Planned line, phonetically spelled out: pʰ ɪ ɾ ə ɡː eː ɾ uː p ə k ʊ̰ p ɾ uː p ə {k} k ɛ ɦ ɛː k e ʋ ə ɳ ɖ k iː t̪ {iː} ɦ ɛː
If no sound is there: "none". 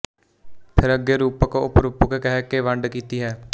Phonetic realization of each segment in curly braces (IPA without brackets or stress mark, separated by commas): k, iː